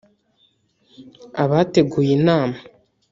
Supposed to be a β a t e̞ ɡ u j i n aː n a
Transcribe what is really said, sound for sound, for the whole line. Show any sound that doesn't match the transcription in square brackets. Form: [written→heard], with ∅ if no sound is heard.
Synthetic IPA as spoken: a β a t e̞ ɡ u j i n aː [n→m] a